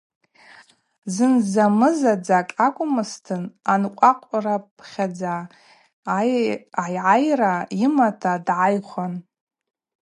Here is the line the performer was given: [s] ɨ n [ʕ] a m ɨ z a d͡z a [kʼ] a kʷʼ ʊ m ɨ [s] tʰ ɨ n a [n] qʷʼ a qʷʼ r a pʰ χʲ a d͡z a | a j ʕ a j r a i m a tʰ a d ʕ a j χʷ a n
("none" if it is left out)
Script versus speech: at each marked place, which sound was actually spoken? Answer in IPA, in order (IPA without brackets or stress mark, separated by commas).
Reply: z, z, kʼ, s, n